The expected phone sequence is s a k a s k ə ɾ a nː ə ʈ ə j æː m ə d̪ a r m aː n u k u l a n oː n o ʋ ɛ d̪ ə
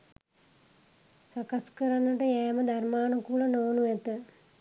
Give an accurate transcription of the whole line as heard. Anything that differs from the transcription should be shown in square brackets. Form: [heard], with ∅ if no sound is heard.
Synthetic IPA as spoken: s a k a s k ə ɾ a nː ə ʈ ə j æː m ə d̪ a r m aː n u k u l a n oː n [u] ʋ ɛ [t̪] ə